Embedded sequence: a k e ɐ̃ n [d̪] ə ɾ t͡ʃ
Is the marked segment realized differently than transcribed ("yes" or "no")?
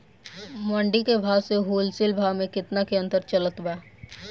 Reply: yes